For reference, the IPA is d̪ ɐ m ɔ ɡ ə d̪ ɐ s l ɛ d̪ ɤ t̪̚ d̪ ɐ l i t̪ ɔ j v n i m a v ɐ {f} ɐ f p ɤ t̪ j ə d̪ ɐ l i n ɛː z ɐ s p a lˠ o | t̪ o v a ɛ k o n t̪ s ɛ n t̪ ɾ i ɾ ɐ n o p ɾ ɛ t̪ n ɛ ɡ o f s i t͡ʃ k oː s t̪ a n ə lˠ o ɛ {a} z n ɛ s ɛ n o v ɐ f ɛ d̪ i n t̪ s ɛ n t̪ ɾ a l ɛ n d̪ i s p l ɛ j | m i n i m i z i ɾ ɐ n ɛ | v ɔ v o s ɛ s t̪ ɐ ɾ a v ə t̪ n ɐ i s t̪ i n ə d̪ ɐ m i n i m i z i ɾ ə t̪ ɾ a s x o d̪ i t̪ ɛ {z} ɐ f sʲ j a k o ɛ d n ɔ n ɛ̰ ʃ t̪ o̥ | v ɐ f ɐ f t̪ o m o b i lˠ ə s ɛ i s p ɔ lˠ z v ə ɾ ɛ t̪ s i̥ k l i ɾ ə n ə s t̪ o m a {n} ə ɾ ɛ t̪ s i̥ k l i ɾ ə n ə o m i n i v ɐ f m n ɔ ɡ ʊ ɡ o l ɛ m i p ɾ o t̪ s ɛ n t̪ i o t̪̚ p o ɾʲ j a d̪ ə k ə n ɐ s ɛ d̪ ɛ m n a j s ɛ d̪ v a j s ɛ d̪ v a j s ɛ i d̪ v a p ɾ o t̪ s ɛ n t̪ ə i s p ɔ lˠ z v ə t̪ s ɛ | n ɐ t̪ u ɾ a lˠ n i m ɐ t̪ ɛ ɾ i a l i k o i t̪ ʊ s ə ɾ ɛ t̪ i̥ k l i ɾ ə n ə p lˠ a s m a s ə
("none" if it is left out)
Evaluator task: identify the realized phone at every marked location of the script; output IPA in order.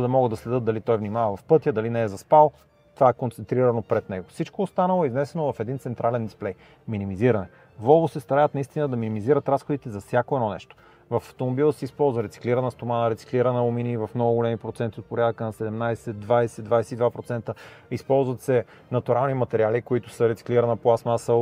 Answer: v, i, z, n

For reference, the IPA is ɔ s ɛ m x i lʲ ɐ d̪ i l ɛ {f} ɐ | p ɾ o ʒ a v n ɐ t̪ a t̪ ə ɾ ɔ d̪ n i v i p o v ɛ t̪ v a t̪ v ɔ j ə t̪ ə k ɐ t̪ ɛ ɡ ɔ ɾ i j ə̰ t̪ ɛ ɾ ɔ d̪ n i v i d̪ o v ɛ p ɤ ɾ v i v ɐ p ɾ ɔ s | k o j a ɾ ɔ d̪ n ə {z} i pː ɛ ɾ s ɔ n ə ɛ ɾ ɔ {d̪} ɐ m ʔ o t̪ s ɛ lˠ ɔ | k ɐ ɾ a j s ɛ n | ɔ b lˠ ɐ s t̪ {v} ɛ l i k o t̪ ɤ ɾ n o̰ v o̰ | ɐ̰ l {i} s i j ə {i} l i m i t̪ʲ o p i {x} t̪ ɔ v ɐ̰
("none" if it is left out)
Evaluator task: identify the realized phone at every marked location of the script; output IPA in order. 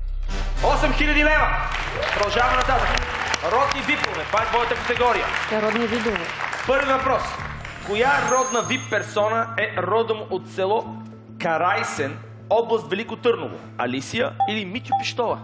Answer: v, v, d̪, v, i, i, ʃ

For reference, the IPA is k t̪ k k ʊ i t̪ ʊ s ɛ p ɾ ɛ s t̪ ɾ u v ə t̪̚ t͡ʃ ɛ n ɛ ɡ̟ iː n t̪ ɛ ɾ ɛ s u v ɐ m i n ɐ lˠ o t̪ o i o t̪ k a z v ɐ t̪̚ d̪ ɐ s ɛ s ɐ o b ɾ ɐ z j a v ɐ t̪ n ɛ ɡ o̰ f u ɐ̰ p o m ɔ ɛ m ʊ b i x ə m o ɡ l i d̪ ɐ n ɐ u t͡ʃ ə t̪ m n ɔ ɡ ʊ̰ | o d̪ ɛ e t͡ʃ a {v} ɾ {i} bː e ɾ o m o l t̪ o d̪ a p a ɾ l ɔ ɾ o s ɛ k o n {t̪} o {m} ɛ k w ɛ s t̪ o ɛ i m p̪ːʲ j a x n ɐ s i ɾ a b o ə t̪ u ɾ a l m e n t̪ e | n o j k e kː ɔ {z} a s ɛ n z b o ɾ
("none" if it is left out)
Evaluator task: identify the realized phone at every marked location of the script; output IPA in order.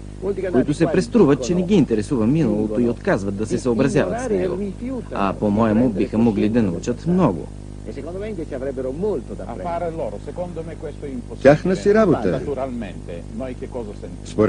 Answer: v, ɛ, d̪, m, z

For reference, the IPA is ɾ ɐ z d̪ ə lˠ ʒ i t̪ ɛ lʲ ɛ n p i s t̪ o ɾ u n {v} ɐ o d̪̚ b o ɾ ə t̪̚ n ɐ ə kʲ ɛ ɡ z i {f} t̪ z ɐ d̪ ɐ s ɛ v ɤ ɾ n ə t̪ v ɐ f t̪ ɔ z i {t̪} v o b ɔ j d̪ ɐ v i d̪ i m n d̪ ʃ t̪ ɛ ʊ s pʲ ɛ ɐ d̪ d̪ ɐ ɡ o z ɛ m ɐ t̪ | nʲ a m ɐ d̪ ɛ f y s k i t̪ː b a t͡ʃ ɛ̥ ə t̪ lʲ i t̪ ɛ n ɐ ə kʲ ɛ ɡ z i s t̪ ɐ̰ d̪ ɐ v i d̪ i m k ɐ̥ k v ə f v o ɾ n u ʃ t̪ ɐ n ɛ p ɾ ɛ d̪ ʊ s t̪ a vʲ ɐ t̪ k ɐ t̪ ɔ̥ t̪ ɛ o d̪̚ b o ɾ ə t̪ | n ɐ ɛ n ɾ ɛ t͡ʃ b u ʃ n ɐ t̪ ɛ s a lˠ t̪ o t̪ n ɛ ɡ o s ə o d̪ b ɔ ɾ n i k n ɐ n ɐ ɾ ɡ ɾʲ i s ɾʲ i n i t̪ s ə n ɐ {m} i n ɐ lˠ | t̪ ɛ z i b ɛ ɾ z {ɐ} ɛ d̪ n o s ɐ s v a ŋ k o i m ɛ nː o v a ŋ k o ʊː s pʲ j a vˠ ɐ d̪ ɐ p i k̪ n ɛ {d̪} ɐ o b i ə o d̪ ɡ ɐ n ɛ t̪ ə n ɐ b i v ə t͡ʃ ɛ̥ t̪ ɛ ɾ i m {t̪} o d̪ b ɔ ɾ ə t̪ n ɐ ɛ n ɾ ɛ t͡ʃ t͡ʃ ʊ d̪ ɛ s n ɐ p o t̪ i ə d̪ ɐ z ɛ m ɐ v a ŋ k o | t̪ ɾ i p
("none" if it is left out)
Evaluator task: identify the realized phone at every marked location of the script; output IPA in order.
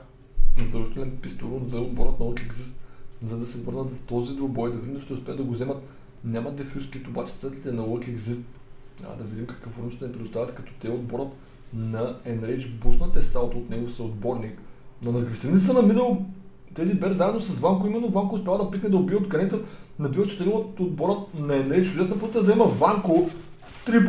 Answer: z, s, d̪, m, a, d̪, t̪

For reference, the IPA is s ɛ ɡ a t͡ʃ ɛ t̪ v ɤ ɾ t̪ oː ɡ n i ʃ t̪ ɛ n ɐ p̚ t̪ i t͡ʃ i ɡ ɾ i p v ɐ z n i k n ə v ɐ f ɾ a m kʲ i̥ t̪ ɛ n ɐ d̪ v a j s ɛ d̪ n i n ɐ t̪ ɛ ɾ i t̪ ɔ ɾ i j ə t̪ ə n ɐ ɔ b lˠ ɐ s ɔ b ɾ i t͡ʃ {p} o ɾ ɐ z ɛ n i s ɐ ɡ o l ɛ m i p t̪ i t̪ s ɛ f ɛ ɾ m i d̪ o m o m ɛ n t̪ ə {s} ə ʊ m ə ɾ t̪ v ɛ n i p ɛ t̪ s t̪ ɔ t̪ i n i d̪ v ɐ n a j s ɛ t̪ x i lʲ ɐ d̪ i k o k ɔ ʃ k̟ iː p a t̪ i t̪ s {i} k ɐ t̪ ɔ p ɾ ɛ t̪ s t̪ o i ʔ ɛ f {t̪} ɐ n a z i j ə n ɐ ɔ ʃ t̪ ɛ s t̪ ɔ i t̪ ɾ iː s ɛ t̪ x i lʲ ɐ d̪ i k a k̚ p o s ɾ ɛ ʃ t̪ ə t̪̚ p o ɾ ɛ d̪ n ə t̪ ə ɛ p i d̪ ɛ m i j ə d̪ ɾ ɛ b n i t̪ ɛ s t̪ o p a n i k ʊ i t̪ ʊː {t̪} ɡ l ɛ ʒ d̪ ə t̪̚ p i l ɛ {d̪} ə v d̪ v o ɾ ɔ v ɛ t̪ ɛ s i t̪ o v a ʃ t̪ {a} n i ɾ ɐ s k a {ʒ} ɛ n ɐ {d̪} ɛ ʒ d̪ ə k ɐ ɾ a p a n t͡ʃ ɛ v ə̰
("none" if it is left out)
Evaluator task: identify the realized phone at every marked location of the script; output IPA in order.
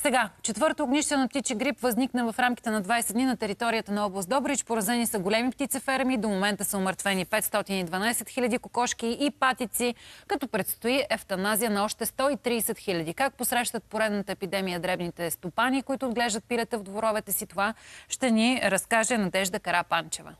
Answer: p, s, i, t̪, d̪, t̪, ɛ, ʒ, d̪

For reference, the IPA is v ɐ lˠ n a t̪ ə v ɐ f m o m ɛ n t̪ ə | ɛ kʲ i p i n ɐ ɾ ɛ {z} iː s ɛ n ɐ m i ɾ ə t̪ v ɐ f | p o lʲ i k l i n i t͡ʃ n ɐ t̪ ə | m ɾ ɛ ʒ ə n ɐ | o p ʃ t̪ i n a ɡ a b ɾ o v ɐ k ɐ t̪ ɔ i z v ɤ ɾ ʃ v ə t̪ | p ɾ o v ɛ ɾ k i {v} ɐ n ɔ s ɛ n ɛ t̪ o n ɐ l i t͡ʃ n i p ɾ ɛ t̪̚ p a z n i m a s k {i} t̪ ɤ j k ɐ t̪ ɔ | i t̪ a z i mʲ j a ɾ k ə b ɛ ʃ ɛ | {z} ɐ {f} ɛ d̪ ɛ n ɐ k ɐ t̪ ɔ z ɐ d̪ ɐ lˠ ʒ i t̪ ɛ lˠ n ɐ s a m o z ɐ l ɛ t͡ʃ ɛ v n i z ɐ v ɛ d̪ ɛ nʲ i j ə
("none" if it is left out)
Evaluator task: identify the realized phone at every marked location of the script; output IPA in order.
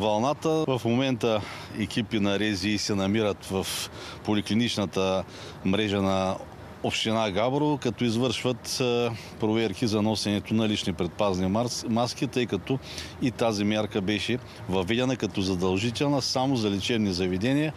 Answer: z, z, i, v, v

